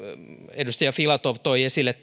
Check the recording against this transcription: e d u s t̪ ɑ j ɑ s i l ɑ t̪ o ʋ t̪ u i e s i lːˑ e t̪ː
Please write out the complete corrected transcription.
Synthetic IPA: e d u s t̪ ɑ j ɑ f i l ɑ t̪ o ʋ t̪ o i e s i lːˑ e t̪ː